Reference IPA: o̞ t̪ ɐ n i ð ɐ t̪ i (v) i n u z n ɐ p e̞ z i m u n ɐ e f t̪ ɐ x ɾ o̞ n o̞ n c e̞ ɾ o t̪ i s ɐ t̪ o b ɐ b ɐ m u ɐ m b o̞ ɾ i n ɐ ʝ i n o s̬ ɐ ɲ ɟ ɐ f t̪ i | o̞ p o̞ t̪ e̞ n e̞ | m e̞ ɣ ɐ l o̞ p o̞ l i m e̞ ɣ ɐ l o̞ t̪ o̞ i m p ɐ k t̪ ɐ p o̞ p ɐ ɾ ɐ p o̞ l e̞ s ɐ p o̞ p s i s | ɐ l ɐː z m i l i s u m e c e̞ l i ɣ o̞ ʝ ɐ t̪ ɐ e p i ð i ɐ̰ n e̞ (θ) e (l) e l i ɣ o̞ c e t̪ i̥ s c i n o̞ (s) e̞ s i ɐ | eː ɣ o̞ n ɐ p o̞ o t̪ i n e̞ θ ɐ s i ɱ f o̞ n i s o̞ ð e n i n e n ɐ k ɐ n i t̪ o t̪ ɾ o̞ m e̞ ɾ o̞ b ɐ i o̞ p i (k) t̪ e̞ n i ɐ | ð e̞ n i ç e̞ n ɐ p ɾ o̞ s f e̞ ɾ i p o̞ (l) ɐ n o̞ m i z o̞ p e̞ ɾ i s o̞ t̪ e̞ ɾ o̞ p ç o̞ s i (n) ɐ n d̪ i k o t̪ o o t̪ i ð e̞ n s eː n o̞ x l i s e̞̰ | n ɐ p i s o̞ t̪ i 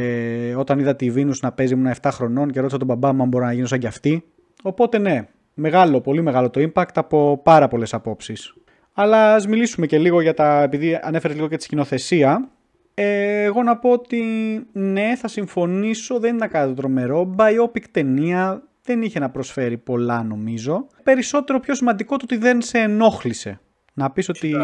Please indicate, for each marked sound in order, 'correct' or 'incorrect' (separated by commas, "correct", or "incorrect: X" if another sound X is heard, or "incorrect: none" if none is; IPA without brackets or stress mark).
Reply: correct, incorrect: f, incorrect: ɾ, incorrect: θ, correct, correct, incorrect: m